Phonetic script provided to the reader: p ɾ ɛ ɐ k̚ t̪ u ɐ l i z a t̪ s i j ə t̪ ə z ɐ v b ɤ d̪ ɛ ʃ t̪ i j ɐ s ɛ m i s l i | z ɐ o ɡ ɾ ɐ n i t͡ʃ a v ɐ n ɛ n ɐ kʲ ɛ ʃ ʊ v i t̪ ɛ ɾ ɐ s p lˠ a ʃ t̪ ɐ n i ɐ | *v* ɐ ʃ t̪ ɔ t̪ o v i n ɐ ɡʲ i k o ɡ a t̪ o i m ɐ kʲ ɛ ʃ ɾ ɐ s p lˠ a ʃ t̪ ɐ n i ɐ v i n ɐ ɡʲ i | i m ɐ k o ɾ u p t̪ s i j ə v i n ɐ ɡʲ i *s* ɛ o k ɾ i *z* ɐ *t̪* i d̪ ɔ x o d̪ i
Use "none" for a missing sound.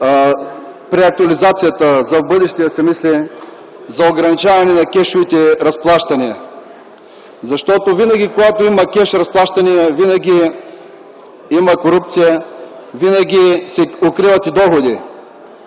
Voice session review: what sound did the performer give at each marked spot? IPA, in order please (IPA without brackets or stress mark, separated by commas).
z, s, v, t̪